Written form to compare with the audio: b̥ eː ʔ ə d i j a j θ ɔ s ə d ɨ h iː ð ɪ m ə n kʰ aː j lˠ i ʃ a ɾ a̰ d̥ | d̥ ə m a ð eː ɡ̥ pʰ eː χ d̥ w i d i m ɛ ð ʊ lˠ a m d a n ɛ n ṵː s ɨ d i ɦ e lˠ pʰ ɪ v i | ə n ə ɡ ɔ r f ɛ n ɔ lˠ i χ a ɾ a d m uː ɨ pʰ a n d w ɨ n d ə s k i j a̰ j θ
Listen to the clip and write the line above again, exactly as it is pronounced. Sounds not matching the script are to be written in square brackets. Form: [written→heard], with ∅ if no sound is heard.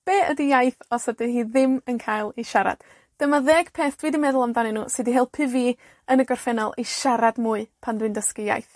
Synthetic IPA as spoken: b̥ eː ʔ ə d i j a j θ ɔ s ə d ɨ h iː ð ɪ m ə n kʰ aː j lˠ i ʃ a ɾ a̰ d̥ | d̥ ə m a ð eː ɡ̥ pʰ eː [χ→θ] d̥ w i d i m ɛ ð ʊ lˠ a m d a n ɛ n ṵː s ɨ d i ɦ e lˠ pʰ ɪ v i | ə n ə ɡ ɔ r f ɛ n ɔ lˠ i [χ→ʃ] a ɾ a d m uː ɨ pʰ a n d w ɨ n d ə s k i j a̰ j θ